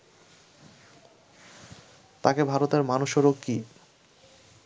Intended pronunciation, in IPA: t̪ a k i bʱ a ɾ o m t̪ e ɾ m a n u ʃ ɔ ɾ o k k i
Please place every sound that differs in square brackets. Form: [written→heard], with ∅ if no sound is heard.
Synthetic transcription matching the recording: t̪ a k [i→e] bʱ a ɾ o [m→∅] t̪ e ɾ m a n u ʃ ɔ ɾ o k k i